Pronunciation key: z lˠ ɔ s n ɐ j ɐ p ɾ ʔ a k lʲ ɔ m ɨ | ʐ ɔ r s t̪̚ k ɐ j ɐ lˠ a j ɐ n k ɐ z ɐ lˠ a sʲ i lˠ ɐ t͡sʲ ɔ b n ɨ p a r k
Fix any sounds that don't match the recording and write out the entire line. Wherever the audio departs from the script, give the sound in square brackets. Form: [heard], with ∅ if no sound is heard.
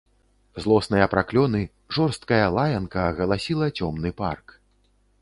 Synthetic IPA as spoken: z lˠ ɔ s n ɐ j ɐ p ɾ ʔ a k lʲ ɔ [n] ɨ | ʐ ɔ r s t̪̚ k ɐ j ɐ lˠ a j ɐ n k ɐ [ɣ] ɐ lˠ a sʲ i lˠ ɐ t͡sʲ ɔ [m] n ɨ p a r k